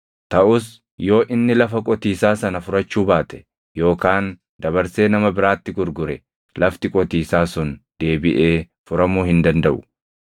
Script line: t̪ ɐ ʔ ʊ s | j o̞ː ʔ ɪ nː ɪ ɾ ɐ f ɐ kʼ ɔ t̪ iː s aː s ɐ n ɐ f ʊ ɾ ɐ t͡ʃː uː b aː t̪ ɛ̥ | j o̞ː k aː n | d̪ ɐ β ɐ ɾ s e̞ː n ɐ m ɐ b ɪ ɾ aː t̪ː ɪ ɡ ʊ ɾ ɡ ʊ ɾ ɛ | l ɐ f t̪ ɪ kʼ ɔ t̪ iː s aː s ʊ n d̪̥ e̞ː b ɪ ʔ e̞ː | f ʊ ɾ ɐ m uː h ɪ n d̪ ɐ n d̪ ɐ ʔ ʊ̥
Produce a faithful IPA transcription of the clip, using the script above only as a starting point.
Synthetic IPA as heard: t̪ ɐ ʔ ʊ s | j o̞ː ʔ ɪ nː ɪ l ɐ f ɐ kʼ ɔ t̪ iː s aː s ɐ n ɐ f ʊ ɾ ɐ t͡ʃː uː b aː t̪ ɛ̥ | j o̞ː k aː n | d̪ ɐ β ɐ ɾ s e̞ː n ɐ m ɐ b ɪ ɾ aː t̪ː ɪ ɡ ʊ ɾ ɡ ʊ ɾ ɛ | l ɐ f t̪ ɪ kʼ ɔ t̪ iː s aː s ʊ n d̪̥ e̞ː b ɪ ʔ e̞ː | f ʊ ɾ ɐ m uː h ɪ n d̪ ɐ n d̪ ɐ ʔ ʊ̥